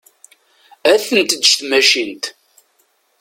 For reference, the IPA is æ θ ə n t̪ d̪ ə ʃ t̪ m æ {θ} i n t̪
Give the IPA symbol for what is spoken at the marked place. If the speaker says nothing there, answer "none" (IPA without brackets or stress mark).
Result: ʃ